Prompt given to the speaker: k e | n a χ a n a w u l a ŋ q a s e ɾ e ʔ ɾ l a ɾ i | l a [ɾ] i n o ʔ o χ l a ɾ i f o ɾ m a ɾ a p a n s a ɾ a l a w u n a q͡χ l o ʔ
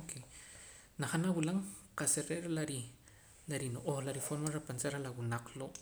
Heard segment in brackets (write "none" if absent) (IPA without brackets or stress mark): ɾ